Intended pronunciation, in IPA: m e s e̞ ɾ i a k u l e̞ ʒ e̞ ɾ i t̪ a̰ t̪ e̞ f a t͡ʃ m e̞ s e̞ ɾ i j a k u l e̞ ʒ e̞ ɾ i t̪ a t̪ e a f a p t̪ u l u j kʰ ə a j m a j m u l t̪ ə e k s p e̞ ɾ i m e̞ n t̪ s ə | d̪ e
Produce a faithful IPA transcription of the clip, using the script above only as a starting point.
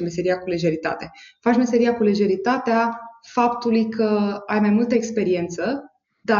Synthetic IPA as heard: m e s e̞ ɾ i a k u l e̞ ʒ e̞ ɾ i t̪ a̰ t̪ e̞ f a t͡ʃ m e̞ s e̞ ɾ i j a k u l e̞ ʒ e̞ ɾ i t̪ a t̪ e a f a p t̪ u l u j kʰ ə a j m a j m u l t̪ ə e k s p e̞ ɾ i e̞ n t̪ s ə | d̪ a